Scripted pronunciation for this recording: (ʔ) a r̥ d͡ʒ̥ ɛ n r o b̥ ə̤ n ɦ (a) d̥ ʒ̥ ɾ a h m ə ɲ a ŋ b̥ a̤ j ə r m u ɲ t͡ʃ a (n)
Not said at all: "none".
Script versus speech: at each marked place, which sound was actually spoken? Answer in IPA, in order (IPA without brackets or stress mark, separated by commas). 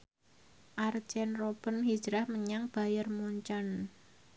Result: ʔ, i, n